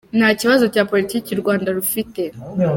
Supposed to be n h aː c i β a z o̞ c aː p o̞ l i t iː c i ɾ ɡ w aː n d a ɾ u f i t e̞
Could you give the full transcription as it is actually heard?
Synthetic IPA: n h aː c i β a z o̞ c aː p o̞ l i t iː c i ɾ ɡ w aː n d a ɾ u f i t e̞